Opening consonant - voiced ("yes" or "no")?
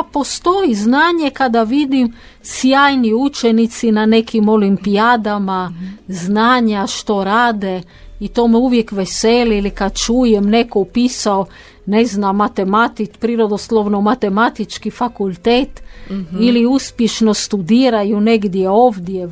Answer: no